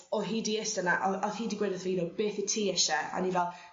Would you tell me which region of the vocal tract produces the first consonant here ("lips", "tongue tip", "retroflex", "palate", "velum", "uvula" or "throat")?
throat